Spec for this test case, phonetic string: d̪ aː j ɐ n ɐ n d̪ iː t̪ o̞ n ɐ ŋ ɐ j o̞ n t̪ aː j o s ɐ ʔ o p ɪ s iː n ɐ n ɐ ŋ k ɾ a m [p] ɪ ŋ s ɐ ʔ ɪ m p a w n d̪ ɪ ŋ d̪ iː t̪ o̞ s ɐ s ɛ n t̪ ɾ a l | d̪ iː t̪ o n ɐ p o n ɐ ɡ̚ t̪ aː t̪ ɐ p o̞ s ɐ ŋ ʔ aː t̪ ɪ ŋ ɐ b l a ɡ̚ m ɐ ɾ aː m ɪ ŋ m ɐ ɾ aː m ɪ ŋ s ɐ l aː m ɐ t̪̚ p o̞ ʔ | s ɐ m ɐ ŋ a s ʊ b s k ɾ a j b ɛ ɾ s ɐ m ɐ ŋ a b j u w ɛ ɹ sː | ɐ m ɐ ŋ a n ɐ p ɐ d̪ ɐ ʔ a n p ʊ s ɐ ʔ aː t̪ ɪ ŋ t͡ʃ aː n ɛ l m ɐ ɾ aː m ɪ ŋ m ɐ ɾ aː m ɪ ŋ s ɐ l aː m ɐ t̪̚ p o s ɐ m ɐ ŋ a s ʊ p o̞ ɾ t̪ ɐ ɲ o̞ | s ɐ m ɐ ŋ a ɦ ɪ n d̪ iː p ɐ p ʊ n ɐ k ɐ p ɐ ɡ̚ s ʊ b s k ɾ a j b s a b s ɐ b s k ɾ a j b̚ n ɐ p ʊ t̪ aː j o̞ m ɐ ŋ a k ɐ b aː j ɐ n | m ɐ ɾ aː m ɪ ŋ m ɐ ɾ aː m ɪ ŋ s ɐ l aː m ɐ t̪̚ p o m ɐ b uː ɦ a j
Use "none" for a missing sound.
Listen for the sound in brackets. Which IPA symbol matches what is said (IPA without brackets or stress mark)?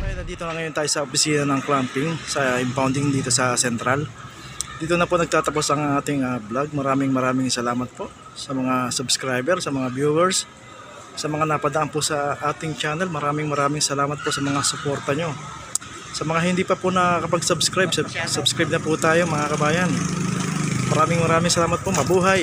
p